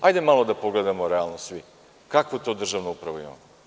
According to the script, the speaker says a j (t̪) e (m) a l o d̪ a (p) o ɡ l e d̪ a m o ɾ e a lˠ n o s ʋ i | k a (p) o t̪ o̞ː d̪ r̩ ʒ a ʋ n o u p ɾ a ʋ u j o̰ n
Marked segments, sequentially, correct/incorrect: incorrect: d̪, correct, correct, incorrect: k

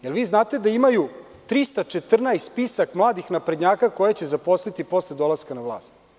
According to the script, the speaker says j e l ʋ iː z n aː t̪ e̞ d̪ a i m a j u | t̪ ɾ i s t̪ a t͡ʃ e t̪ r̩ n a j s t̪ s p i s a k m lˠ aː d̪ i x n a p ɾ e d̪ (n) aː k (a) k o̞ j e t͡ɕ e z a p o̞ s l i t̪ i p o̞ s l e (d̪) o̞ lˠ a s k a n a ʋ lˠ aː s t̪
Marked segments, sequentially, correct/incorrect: incorrect: ɲ, correct, correct

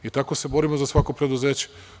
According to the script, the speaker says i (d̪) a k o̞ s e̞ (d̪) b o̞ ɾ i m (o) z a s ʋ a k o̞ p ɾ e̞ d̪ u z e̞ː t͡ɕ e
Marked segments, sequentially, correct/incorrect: incorrect: t̪, incorrect: none, correct

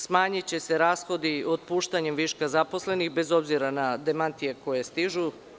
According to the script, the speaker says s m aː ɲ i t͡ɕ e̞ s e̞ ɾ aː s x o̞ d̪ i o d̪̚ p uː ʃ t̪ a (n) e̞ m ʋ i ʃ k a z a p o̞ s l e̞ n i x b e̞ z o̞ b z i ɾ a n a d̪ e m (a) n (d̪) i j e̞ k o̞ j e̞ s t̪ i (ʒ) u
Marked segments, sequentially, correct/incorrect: incorrect: ɲ, correct, incorrect: t̪, correct

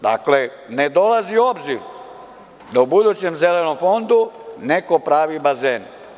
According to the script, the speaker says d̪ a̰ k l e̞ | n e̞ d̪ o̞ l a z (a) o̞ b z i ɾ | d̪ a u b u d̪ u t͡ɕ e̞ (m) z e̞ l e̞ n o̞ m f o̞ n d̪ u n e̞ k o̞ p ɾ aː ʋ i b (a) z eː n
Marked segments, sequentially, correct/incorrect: incorrect: i, correct, correct

